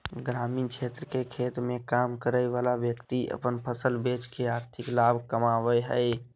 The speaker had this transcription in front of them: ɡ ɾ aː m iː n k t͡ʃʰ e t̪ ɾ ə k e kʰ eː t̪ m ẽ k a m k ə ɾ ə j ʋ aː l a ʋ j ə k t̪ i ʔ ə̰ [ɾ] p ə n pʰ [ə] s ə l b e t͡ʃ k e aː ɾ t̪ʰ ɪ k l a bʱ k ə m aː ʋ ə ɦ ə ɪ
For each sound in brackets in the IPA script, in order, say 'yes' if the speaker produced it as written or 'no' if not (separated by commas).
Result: no, yes